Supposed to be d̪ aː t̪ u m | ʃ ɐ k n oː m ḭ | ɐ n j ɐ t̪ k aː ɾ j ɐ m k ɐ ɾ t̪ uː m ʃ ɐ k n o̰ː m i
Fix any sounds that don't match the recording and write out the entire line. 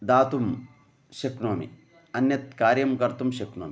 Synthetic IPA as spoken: d̪ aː t̪ u m | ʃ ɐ k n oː m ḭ | ɐ n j ɐ t̪ k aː ɾ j ɐ m k ɐ ɾ t̪ u m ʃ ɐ k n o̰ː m i